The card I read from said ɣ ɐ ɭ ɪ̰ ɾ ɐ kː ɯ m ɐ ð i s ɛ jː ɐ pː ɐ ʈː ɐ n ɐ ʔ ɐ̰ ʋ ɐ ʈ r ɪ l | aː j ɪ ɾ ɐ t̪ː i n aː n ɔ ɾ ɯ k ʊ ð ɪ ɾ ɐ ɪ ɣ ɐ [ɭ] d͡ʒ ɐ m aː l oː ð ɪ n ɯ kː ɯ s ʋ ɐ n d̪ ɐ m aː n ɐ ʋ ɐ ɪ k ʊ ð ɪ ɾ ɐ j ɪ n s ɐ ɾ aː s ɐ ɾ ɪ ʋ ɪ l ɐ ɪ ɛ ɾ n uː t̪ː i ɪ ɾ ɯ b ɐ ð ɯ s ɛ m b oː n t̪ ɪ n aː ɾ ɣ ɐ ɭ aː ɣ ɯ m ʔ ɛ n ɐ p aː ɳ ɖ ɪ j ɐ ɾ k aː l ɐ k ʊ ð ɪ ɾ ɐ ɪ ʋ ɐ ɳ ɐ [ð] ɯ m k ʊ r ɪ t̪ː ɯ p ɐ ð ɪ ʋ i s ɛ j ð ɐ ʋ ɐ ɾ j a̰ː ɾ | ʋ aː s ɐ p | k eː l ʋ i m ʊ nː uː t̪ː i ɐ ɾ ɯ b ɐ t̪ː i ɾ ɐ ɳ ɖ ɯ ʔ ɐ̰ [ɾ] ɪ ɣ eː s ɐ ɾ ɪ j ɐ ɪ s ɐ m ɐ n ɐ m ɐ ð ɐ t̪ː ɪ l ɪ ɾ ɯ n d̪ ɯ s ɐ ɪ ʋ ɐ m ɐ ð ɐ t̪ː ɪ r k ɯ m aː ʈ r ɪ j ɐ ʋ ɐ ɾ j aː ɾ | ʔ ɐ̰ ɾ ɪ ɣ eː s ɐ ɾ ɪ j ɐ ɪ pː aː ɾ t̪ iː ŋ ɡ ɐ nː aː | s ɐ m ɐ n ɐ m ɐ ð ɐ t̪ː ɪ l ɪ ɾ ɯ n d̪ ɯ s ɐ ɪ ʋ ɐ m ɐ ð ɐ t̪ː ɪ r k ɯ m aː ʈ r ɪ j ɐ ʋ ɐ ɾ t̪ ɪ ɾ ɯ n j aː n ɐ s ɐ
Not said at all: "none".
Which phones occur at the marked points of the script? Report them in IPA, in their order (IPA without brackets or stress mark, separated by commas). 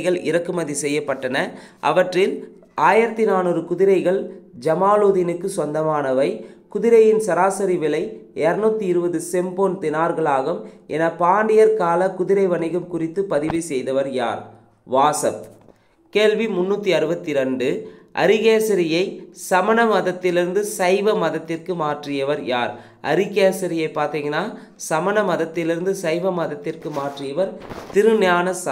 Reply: ɭ, ɣ, ɾ